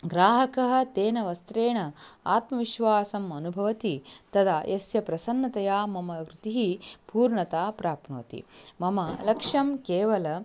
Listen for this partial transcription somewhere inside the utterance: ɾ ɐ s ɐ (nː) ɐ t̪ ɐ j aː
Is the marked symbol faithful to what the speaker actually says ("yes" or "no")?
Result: yes